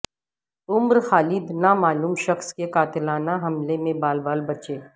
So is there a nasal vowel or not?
yes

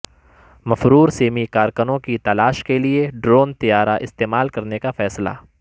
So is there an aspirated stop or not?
no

